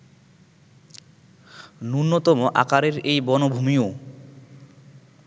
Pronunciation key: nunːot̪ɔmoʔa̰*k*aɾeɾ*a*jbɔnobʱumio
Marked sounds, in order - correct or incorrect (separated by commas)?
correct, incorrect